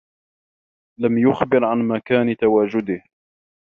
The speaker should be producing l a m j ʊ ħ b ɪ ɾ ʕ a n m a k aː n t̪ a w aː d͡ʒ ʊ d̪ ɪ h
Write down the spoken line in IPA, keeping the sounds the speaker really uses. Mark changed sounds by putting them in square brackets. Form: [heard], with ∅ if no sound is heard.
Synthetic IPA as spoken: l a m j ʊ [x] b ɪ ɾ ʕ a n m a k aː n t̪ a w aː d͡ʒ ʊ d̪ ɪ h